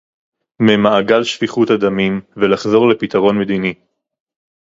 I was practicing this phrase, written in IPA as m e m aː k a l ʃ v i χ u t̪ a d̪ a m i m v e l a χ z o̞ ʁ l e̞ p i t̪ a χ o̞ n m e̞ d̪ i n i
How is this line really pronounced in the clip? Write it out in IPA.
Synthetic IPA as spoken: m e m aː ɡ a l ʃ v i χ u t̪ a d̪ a m i m v e l a χ z o̞ ʁ l e̞ p i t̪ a ʁ o̞ n m e̞ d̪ i n i